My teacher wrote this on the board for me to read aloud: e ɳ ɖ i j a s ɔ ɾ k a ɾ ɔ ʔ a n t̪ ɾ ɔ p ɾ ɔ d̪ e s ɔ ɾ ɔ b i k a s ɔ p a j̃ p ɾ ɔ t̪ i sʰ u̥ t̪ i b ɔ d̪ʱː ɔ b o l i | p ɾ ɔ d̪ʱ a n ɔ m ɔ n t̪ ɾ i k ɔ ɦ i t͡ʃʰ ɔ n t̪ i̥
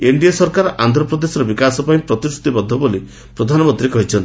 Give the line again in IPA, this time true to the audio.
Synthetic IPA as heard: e ɳ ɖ i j a s ɔ ɾ k a ɾ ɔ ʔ a n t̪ ɾ ɔ p ɾ ɔ d̪ e s ɔ ɾ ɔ b i k a s ɔ p a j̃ p ɾ ɔ t̪ i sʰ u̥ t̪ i b ɔ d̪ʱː ɔ b o l i | p ɾ ɔ d̪ʱ a n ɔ m ɔ n t̪ ɾ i k ɔ ɦ i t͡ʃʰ ɔ n t̪ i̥

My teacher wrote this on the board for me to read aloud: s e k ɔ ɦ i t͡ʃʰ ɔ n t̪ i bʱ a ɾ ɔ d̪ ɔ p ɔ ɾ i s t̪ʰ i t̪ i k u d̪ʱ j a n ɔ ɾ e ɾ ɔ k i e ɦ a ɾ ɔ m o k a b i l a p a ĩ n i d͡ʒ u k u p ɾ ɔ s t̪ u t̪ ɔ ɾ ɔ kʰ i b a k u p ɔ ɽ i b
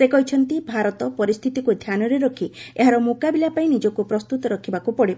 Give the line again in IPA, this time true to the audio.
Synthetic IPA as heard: s e k ɔ ɦ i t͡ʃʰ ɔ n t̪ i bʱ a ɾ ɔ t̪ ɔ p ɔ ɾ i s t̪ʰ i t̪ i k u d̪ʱ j a n ɔ ɾ e ɾ ɔ kʰ i e ɦ a ɾ ɔ m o k a b i l a p a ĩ n i d͡ʒ ɔ k u p ɾ ɔ s t̪ u t̪ ɔ ɾ ɔ kʰ i b a k u p ɔ ɽ i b

